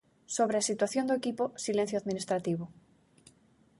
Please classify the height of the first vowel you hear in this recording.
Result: mid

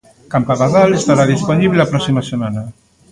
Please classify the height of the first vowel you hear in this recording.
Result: low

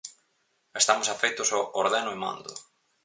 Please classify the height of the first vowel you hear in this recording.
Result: mid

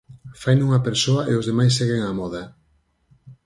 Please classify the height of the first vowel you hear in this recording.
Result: low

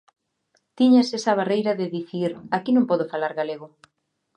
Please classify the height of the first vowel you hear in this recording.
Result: high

